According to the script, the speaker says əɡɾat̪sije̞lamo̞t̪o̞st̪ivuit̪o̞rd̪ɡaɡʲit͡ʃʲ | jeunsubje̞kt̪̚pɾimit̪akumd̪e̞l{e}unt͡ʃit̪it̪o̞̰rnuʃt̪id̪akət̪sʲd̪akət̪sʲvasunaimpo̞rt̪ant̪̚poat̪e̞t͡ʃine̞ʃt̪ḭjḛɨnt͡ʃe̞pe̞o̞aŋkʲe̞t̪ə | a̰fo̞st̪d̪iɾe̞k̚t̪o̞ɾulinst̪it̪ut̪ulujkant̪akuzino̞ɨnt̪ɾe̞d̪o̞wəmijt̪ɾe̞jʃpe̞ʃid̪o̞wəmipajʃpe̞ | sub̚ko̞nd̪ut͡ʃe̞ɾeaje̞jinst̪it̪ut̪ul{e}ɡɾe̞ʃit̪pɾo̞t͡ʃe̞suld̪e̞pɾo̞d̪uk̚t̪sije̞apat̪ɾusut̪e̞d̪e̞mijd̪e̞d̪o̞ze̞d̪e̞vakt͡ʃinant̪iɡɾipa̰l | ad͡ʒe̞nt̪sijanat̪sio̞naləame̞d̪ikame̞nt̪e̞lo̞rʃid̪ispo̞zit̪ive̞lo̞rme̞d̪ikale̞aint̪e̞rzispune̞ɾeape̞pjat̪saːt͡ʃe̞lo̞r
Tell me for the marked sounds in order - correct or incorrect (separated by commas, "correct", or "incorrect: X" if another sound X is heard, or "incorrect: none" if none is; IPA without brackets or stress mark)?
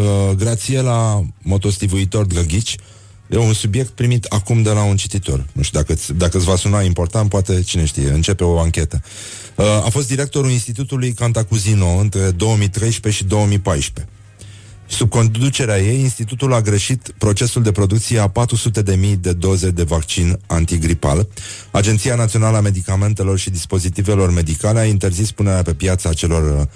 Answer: incorrect: a, incorrect: a